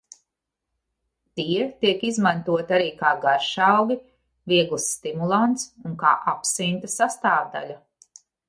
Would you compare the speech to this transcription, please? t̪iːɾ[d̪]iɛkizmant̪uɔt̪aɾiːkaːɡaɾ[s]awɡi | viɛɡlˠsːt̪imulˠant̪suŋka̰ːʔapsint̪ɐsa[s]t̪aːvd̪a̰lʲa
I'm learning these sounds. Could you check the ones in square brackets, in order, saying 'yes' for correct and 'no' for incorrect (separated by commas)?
no, no, yes